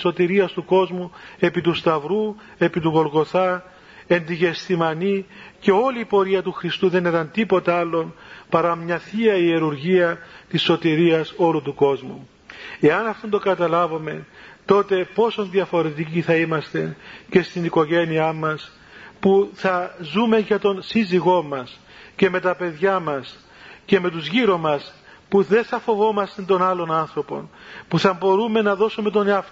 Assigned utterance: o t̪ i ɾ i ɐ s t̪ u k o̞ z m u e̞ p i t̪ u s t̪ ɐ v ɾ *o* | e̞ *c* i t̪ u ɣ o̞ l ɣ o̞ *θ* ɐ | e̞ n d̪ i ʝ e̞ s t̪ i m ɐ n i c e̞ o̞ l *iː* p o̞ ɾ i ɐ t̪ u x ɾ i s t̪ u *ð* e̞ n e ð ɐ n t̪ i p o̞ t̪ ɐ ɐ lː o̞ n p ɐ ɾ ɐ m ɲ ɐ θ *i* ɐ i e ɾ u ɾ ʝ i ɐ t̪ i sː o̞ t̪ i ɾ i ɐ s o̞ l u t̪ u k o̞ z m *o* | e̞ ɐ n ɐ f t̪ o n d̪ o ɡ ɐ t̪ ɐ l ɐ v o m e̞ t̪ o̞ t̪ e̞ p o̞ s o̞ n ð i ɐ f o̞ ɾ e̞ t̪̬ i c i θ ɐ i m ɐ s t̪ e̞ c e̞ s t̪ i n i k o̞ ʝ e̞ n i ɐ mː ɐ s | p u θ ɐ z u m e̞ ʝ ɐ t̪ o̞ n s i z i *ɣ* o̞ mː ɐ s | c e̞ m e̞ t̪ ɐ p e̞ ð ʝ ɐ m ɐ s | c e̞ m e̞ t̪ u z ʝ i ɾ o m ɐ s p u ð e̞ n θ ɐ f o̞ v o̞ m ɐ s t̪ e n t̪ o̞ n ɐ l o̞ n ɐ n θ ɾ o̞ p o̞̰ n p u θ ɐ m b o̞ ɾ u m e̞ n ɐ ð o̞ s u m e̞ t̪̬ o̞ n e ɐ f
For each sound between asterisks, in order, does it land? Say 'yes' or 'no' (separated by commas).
no, no, yes, yes, yes, yes, no, yes